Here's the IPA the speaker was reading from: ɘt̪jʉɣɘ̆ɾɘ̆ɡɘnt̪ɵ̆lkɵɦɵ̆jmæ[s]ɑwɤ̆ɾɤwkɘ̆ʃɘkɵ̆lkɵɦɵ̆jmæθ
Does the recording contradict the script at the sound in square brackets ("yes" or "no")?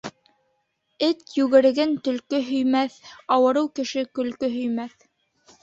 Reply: yes